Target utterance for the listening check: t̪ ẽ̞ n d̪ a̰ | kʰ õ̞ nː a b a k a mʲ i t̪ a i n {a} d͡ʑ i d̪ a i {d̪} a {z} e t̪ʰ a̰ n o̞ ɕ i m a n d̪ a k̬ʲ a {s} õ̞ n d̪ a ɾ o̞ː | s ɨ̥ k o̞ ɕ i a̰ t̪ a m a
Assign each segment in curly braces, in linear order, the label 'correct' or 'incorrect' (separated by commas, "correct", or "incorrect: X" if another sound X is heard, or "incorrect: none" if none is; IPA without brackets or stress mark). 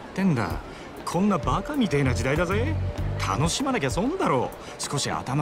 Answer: correct, correct, correct, correct